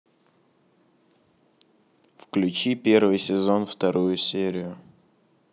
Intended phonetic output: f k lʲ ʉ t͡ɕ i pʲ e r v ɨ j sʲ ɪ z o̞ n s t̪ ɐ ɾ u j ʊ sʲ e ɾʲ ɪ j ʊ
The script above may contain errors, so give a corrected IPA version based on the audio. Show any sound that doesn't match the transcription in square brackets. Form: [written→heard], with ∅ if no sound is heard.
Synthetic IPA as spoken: f k lʲ ʉ t͡ɕ i pʲ e r v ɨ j sʲ ɪ z o̞ n [s→f] t̪ ɐ ɾ u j ʊ sʲ e ɾʲ ɪ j ʊ